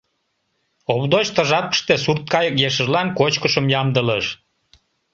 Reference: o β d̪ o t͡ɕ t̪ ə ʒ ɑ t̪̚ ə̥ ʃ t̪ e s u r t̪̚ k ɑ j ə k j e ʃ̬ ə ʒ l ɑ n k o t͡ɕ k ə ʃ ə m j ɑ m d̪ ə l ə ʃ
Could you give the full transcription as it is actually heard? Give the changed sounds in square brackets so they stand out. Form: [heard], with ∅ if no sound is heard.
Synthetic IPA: o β d̪ o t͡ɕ t̪ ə ʒ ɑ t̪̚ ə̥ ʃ t̪ e s u r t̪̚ k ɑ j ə k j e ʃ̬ ə ʒ l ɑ n k o t͡ɕ k ə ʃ ə m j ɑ m d̪ ə l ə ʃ